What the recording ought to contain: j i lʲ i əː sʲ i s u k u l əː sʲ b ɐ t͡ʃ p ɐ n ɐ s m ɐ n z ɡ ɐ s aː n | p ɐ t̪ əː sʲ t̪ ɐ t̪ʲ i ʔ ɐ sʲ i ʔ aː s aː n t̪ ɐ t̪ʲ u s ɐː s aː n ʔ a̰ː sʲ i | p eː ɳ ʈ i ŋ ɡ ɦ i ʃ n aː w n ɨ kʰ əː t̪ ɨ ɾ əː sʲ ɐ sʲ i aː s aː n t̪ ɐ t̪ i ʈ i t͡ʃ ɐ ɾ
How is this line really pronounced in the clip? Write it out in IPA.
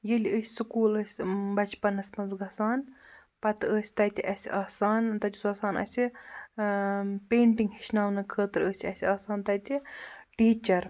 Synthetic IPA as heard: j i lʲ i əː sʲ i s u k uː l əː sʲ b ɐ t͡ʃ p ɐ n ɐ s m ɐ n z ɡ ɐ s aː n | p ɐ t̪ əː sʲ t̪ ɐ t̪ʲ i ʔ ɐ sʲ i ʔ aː s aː n t̪ ɐ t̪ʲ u s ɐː s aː n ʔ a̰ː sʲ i | p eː ɳ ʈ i ŋ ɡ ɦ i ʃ n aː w n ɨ kʰ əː t̪ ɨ ɾ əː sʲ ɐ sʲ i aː s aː n t̪ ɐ t̪ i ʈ iː t͡ʃ ɐ ɾ